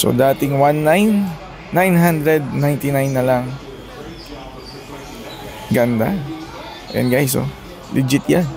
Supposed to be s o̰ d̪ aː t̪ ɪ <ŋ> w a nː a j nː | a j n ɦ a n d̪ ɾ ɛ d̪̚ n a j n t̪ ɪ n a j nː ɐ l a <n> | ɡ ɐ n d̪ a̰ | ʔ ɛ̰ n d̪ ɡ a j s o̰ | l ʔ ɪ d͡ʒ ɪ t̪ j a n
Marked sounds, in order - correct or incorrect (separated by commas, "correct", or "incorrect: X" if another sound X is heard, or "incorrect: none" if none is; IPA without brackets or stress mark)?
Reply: correct, incorrect: ŋ